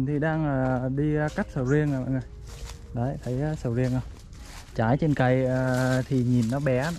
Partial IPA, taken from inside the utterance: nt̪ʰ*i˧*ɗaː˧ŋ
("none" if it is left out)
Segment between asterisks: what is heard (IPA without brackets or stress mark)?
i˨˩